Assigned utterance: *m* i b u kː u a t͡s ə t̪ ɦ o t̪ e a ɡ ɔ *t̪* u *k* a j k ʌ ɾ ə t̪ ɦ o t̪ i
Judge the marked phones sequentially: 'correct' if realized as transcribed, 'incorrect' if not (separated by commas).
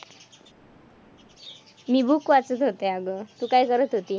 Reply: correct, correct, correct